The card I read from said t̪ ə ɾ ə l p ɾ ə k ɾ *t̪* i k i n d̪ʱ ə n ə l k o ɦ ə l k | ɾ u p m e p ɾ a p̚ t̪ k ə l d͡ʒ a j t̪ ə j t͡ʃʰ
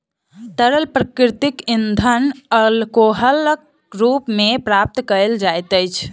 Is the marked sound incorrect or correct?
correct